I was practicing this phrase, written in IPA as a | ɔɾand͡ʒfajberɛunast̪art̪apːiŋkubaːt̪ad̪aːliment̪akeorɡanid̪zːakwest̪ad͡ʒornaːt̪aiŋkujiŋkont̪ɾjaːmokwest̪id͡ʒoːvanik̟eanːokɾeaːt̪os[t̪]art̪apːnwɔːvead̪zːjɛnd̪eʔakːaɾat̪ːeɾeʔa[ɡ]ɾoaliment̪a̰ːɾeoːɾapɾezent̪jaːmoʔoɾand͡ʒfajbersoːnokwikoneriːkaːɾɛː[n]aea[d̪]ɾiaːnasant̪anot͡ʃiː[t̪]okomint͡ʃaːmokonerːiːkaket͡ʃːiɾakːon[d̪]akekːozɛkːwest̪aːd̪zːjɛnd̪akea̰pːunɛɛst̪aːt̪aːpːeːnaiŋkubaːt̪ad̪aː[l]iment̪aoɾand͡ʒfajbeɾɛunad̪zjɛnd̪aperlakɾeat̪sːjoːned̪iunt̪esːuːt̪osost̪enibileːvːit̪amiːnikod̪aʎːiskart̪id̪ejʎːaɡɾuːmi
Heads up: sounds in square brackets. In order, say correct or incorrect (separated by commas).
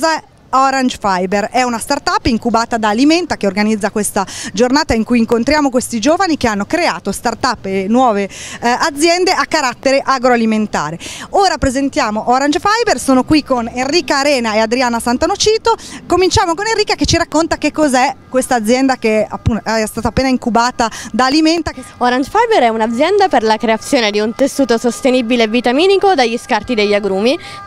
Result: correct, correct, correct, correct, correct, incorrect, correct